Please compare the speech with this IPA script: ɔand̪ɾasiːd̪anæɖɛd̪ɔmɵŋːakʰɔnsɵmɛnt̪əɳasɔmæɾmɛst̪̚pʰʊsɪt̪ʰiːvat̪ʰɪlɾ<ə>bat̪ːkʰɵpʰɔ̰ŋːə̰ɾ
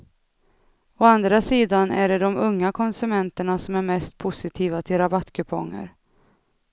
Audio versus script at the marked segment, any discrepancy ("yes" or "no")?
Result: yes